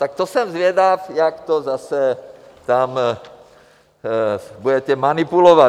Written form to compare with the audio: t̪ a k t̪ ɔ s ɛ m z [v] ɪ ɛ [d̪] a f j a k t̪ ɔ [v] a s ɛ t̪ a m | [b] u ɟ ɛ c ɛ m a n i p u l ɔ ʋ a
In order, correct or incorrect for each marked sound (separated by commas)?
incorrect, correct, incorrect, correct